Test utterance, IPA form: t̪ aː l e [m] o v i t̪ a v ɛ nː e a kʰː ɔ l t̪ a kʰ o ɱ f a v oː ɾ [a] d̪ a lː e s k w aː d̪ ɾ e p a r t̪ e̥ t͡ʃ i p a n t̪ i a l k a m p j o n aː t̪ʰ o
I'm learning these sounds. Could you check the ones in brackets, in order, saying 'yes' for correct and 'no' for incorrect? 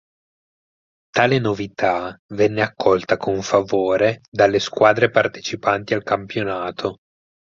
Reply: no, no

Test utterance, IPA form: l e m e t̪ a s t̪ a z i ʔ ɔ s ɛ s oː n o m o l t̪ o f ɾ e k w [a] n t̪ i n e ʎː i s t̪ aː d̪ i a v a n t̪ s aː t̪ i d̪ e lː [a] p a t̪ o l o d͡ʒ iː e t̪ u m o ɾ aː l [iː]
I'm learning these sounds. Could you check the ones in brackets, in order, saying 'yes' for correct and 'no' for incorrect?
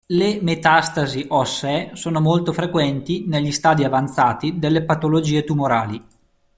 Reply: no, no, no

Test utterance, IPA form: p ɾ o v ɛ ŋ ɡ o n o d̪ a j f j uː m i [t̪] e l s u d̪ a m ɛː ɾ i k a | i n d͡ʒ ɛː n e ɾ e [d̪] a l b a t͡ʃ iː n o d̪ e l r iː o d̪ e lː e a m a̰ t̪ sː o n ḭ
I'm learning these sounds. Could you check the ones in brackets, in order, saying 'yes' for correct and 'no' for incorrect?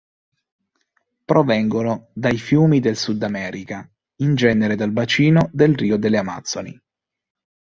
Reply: no, yes

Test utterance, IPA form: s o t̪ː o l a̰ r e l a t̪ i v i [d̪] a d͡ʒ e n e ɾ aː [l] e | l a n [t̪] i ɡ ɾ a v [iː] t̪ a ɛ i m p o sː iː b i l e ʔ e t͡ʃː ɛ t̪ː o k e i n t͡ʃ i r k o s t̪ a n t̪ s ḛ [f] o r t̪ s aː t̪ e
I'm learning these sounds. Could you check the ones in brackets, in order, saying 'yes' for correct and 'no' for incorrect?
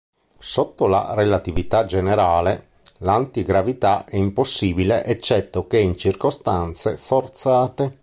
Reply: no, yes, yes, no, yes

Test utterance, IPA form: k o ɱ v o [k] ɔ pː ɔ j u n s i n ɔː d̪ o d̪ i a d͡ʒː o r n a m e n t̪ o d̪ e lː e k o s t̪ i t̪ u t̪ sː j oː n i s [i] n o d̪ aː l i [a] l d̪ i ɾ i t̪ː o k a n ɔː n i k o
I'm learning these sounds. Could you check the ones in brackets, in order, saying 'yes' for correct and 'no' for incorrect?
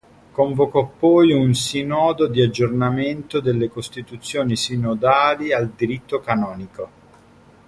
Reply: yes, yes, yes

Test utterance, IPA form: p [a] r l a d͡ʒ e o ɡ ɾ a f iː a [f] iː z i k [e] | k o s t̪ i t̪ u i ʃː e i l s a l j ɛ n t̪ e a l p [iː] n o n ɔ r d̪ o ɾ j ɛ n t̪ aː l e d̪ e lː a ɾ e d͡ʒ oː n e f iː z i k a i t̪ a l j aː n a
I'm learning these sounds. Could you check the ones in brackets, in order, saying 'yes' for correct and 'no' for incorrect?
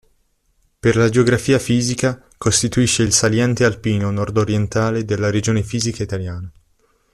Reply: no, yes, no, yes

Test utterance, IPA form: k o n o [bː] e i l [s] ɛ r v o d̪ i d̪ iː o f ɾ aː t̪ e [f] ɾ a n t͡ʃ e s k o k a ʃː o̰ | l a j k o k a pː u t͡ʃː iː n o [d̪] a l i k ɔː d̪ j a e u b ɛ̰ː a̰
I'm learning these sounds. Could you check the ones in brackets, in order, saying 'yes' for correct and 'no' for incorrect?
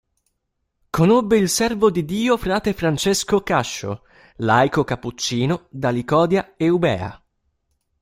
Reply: yes, yes, yes, yes

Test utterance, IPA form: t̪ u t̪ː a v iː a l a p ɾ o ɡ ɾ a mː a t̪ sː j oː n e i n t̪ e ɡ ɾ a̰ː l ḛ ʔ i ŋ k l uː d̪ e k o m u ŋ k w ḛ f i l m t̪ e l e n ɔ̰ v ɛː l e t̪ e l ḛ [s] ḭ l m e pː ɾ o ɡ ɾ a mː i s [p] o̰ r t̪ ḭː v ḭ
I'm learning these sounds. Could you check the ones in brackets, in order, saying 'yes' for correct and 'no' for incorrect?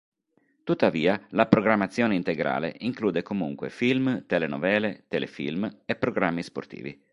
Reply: no, yes

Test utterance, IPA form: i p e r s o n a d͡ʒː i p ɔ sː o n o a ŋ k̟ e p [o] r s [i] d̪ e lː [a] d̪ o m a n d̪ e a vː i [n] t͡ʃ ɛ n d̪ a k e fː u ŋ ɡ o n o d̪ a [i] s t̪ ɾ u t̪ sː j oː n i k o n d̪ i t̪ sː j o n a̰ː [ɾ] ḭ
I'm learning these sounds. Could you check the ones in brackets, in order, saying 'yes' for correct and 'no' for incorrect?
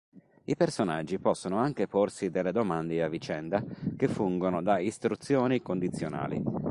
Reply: yes, yes, no, no, yes, no

